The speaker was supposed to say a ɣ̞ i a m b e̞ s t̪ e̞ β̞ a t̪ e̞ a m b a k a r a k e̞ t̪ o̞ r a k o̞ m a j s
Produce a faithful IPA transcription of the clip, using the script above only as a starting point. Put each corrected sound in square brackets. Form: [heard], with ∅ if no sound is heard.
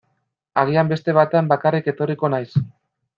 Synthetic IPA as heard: a ɣ̞ i a m b e̞ s t̪ e̞ β̞ a t̪ e̞ a m b a k a r [i] k e̞ t̪ o̞ r [i] k o̞ [n] a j s

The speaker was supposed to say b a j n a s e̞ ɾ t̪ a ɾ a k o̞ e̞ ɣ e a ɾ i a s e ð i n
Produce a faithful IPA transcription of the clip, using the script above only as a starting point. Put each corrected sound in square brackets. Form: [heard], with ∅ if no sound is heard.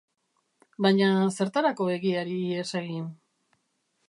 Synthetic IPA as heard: b a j [ɲ] a s e̞ ɾ t̪ a ɾ a k o̞ e̞ ɣ [i] a ɾ i [e] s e [ɣ] i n

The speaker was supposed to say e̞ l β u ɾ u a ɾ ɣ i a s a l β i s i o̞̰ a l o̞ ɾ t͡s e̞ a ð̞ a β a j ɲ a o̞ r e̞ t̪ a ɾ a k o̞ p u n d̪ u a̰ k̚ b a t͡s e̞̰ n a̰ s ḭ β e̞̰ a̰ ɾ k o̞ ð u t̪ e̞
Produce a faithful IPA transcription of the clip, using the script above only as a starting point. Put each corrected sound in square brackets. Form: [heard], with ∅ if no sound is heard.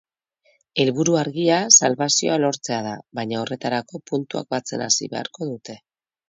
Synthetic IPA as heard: e̞ l β u ɾ u a ɾ ɣ i a s a l β [a] s i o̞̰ a l o̞ ɾ t͡s e̞ a ð̞ a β a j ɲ a o̞ r e̞ t̪ a ɾ a k o̞ p u n [t̪] u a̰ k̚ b a t͡s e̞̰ n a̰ s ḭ β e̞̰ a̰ ɾ k o̞ ð u t̪ e̞

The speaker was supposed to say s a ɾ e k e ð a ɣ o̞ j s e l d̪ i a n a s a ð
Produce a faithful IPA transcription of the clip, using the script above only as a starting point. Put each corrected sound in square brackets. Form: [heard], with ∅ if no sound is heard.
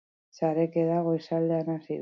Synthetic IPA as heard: s a ɾ e k e ð a ɣ o̞ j s [a] l d̪ [e] a n a s [i] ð

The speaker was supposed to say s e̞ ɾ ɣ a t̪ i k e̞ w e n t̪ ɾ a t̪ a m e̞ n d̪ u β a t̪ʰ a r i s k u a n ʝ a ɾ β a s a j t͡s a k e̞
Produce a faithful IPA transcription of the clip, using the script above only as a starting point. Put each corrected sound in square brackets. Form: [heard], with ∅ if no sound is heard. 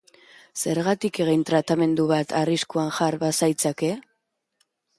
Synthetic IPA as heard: s e̞ ɾ ɣ a t̪ i k e̞ [ɣ] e n t̪ ɾ a t̪ a m e̞ n d̪ u β a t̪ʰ a r i s k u a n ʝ a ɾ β a s a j t͡s a k e̞

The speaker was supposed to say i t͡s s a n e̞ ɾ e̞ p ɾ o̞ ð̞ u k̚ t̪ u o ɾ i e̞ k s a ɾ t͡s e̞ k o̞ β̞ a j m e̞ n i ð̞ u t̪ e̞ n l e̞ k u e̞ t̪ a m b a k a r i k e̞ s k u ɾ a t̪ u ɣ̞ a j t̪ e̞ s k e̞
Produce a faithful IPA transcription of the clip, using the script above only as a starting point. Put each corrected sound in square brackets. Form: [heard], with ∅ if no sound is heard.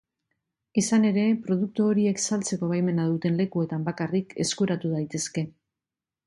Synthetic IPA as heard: i [∅] s a n e̞ ɾ e̞ p ɾ o̞ ð̞ u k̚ t̪ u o ɾ i e̞ k s a [l] t͡s e̞ k o̞ β̞ a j m e̞ n [a] ð̞ u t̪ e̞ n l e̞ k u e̞ t̪ a m b a k a r i k e̞ s k u ɾ a t̪ u [ð̞] a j t̪ e̞ s k e̞

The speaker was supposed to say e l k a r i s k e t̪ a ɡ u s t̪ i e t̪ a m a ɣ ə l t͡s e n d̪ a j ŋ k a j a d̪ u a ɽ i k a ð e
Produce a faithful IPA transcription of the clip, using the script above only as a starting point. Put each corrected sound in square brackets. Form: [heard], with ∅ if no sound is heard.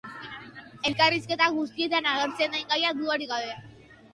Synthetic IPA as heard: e l k a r i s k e t̪ a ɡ u s t̪ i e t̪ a [n] a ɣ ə [ɾ] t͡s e n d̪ a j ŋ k a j a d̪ u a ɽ i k a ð e

